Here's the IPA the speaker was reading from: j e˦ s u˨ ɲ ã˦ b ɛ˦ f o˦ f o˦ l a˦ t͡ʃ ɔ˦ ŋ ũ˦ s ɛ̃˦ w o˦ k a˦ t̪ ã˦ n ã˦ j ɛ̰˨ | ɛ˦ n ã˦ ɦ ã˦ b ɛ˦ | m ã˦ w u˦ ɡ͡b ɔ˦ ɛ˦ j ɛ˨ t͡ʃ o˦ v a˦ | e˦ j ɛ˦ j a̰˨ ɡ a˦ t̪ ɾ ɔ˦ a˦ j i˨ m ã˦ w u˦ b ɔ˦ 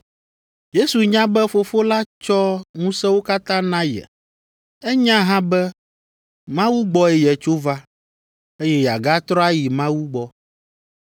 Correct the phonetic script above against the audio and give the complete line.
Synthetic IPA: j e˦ s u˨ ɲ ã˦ b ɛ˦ f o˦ f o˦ l a˦ t͡ʃ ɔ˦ ŋ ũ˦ s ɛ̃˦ w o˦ k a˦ t̪ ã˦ n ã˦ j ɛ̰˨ | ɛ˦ ɲ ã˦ ɦ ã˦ b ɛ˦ | m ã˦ w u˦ ɡ͡b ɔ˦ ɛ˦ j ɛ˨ t͡ʃ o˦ v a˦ | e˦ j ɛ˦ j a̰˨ ɡ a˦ t̪ ɾ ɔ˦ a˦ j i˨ m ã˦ w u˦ ɡ͡b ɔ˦